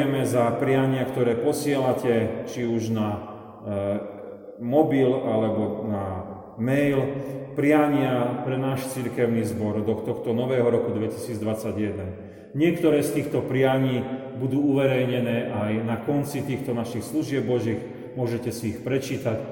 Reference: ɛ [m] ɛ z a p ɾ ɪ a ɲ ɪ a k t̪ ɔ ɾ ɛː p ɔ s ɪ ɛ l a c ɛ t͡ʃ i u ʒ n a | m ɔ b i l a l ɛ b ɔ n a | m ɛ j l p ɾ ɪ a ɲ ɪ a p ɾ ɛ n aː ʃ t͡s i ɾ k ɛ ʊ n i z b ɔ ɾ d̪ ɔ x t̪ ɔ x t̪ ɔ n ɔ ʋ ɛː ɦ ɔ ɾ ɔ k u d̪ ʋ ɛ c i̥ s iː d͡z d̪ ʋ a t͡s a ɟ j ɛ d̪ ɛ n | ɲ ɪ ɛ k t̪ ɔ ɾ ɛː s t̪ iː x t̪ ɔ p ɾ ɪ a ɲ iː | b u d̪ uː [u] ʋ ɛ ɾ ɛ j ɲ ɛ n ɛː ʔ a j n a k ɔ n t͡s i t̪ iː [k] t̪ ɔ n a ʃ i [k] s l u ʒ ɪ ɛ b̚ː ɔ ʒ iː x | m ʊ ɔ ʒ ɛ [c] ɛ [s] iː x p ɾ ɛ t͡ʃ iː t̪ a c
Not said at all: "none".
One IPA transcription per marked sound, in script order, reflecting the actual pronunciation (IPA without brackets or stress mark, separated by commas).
m, u, x, x, c, s